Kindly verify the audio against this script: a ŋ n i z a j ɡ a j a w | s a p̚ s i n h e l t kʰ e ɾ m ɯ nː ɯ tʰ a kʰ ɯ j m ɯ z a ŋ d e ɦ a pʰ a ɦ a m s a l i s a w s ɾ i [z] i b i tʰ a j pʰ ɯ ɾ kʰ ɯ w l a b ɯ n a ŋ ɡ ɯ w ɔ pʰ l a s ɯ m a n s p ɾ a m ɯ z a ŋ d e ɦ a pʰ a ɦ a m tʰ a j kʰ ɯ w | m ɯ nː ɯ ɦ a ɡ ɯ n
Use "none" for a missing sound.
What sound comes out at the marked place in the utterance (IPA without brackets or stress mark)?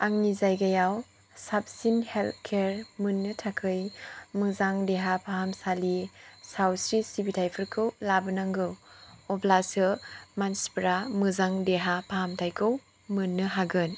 s